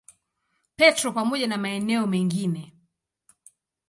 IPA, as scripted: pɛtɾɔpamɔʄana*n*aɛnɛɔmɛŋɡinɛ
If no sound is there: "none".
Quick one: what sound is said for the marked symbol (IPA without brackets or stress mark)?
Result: m